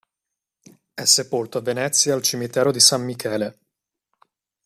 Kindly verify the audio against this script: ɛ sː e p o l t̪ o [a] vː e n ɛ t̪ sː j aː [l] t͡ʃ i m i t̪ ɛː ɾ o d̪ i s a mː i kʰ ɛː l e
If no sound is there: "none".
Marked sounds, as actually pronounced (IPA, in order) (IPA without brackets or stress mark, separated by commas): a, l